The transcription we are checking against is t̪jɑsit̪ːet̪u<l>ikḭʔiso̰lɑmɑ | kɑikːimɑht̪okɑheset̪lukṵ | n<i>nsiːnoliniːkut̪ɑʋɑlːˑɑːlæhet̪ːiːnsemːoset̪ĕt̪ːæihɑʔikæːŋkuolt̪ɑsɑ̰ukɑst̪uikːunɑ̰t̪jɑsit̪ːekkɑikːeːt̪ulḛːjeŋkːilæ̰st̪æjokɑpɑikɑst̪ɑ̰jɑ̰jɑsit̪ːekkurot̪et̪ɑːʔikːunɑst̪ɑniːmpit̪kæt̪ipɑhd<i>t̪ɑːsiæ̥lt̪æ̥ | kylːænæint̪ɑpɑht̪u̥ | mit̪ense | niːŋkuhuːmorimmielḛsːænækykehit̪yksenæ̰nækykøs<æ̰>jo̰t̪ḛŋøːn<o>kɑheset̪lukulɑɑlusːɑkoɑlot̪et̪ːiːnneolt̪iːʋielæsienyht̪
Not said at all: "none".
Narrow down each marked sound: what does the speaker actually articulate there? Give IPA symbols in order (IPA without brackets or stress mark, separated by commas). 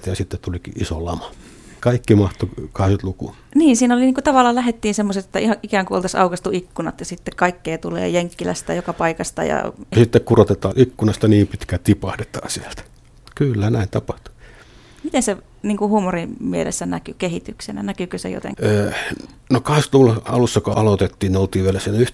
l, iː, e, ḛ, o